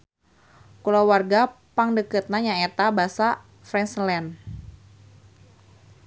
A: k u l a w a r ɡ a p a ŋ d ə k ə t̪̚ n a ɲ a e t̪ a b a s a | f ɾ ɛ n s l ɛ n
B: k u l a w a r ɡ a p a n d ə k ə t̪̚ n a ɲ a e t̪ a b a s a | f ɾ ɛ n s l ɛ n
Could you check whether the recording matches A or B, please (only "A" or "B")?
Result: A